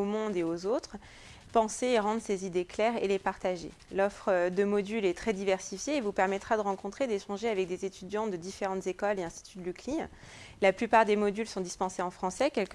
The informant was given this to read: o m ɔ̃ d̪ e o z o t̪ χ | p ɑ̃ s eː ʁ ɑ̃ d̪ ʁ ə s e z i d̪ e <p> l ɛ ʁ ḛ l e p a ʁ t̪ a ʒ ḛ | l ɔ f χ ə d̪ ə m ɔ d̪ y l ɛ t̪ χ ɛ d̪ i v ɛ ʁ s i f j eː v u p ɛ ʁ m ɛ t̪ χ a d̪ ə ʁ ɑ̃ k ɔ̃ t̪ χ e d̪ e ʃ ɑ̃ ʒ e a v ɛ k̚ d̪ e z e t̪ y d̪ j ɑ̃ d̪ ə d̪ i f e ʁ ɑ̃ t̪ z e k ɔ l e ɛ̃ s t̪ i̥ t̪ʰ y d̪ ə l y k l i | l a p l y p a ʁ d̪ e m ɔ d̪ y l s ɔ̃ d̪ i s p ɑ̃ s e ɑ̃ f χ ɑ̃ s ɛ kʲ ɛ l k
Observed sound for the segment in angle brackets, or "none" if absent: k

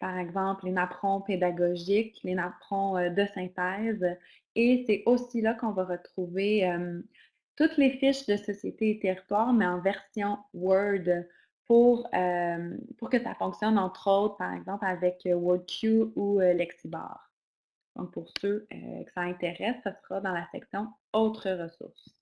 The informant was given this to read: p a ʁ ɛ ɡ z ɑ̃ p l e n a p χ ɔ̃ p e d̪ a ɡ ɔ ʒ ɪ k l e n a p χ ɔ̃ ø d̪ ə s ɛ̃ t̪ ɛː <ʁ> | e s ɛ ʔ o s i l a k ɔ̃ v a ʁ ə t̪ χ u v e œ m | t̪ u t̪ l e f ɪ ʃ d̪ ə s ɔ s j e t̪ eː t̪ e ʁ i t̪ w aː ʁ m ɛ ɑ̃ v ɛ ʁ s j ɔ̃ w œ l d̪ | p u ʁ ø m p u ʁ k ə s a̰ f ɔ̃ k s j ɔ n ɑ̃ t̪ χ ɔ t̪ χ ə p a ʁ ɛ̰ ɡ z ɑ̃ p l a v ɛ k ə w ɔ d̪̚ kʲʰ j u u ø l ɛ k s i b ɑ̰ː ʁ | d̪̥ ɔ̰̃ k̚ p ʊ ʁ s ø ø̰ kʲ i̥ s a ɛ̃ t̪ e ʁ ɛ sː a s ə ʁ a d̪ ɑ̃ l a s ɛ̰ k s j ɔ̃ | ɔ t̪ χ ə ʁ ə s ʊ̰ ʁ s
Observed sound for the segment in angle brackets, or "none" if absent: z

